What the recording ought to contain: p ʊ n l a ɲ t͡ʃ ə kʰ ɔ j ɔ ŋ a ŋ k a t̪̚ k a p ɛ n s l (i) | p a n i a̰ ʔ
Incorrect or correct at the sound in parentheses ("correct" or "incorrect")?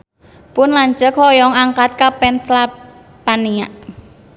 incorrect